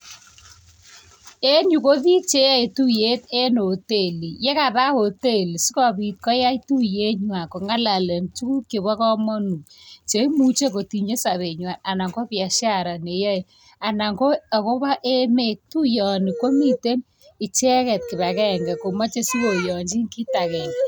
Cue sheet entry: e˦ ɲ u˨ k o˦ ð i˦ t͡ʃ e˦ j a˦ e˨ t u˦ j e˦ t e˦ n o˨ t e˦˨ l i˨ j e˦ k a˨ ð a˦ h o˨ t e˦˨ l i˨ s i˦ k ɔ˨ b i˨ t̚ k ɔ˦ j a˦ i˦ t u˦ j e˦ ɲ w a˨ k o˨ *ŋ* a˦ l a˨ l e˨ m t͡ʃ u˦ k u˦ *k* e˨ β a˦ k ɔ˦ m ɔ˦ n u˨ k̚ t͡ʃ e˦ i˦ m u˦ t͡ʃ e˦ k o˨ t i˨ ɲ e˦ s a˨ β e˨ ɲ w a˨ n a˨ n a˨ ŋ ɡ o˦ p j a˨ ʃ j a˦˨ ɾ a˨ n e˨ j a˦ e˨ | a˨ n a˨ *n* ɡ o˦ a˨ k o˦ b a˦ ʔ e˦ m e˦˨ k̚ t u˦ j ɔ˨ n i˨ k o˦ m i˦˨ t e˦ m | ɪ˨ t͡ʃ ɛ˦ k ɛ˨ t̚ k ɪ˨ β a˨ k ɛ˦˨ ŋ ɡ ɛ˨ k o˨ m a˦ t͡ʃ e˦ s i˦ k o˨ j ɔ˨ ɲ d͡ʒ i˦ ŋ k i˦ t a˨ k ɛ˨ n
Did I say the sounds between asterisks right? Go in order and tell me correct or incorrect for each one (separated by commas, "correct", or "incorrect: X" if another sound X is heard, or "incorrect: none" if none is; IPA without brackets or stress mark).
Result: correct, correct, incorrect: ŋ